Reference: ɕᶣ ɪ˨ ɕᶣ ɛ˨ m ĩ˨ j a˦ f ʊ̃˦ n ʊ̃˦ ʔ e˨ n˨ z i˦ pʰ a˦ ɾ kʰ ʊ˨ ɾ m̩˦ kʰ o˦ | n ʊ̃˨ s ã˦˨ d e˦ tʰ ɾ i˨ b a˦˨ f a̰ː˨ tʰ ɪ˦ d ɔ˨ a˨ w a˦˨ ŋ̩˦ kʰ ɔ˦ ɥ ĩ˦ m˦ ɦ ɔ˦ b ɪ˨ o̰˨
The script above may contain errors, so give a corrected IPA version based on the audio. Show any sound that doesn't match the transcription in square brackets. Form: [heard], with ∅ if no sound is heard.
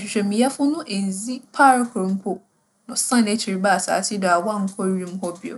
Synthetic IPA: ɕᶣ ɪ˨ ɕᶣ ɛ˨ m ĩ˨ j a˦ f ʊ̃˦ n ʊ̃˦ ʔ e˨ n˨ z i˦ pʰ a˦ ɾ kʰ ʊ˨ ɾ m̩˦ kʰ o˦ | n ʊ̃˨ s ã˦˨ [n] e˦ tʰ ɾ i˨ b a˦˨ [s] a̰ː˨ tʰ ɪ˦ d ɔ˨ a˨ w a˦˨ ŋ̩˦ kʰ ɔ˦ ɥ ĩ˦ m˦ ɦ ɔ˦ b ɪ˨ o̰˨